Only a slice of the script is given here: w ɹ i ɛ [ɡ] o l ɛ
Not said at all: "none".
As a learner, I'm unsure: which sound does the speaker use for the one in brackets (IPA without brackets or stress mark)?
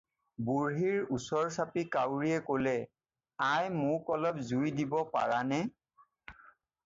k